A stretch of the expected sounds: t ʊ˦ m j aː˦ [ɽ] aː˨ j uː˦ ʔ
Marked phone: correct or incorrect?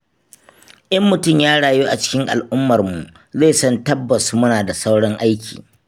correct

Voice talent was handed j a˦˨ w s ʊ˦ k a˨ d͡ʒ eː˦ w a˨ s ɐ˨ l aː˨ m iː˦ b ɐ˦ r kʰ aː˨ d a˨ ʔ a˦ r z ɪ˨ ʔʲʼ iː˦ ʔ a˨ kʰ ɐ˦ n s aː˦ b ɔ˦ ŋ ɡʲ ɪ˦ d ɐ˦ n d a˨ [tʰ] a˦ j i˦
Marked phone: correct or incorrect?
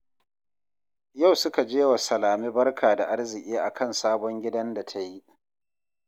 correct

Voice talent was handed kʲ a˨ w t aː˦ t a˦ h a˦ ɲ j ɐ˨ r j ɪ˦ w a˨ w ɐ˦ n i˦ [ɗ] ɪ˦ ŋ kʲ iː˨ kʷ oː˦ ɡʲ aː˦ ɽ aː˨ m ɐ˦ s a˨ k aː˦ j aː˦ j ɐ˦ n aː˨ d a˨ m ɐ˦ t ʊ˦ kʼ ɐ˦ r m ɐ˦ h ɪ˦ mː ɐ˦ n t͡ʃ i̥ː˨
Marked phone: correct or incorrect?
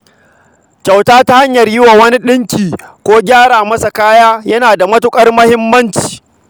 correct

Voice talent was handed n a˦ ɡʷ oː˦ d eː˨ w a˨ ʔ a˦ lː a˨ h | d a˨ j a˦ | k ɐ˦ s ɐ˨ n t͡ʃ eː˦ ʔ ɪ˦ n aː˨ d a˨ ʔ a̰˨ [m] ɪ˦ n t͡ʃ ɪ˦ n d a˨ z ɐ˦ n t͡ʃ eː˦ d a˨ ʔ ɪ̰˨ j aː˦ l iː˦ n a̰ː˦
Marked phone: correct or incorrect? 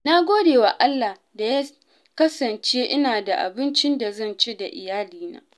incorrect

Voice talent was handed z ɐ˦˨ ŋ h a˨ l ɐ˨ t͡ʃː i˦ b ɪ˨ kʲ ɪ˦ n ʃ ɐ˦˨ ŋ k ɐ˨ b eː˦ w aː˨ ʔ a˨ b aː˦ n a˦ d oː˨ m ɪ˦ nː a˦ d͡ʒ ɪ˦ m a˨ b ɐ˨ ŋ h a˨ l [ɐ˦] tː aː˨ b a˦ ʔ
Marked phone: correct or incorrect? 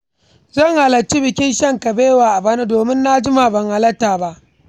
correct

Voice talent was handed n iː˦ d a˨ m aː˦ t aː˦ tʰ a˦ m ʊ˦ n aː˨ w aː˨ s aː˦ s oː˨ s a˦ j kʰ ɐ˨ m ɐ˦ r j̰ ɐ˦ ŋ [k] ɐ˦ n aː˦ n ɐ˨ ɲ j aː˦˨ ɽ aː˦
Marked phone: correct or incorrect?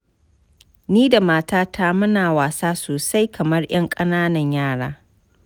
incorrect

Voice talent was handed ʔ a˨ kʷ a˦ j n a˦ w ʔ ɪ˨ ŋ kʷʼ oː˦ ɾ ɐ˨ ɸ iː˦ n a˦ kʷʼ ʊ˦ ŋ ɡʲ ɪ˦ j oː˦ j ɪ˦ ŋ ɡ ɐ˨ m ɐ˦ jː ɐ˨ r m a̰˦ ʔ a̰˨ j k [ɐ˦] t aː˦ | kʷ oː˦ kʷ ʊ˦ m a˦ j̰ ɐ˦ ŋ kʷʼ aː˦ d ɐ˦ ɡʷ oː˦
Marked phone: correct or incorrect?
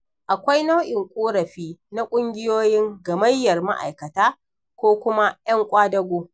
incorrect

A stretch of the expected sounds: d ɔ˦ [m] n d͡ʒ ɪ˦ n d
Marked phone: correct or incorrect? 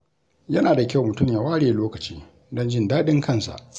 incorrect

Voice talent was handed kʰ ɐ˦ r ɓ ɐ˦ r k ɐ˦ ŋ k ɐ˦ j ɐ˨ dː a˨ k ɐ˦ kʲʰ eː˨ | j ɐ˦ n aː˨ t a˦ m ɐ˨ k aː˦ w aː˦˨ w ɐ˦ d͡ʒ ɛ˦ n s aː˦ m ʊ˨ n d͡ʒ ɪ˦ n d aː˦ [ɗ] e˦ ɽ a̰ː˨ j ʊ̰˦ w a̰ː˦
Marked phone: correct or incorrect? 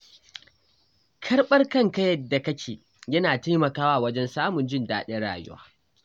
correct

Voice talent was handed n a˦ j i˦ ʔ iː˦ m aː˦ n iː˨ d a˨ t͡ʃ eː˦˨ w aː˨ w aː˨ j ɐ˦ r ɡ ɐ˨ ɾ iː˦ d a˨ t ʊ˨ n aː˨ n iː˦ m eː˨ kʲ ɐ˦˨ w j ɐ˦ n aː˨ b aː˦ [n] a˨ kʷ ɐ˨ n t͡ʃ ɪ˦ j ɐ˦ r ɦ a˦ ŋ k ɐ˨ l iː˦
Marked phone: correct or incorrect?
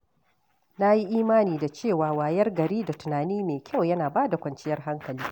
incorrect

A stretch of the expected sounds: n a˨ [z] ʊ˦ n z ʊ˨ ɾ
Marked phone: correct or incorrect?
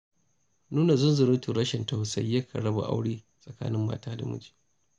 correct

